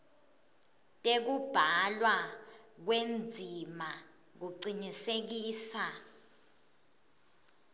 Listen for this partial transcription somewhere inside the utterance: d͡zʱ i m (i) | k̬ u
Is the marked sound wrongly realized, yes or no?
yes